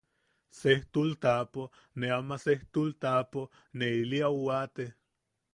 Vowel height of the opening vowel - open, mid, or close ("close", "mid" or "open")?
mid